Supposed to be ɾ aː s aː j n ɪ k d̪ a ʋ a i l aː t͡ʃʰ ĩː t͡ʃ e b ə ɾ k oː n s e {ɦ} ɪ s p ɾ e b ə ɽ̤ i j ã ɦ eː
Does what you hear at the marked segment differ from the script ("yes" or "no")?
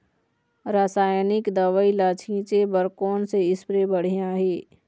yes